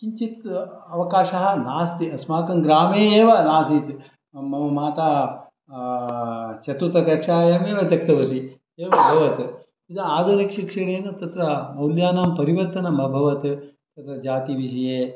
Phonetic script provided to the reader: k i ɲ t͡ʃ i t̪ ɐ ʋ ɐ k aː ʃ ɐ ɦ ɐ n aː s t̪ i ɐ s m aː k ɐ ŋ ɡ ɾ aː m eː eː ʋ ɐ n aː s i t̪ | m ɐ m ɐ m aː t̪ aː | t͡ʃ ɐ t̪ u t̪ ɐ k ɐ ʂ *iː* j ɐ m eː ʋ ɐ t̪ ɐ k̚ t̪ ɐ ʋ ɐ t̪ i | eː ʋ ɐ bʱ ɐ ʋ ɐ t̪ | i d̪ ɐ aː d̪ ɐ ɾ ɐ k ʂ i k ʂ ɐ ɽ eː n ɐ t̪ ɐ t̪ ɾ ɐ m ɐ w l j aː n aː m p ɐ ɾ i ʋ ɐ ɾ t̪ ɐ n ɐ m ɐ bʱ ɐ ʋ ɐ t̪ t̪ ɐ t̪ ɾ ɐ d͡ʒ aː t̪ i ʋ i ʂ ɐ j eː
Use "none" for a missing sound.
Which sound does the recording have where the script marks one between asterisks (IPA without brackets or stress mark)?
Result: aː